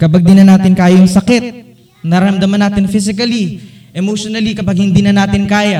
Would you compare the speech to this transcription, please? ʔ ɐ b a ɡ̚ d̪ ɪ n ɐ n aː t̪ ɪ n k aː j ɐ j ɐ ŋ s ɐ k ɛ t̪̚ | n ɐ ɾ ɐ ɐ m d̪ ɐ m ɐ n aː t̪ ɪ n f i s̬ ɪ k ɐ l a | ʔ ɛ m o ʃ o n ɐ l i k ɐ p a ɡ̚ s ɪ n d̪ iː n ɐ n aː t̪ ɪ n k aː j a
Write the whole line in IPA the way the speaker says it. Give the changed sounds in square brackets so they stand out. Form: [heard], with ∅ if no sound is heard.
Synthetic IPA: [k] ɐ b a ɡ̚ d̪ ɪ n ɐ n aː t̪ ɪ n k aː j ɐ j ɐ ŋ s ɐ k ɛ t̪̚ | n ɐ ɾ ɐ ɐ m d̪ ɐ m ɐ n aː t̪ ɪ n f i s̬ ɪ k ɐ l [i] | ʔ ɛ m o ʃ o n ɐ l i k ɐ p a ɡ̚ [h] ɪ n d̪ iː n ɐ n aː t̪ ɪ n k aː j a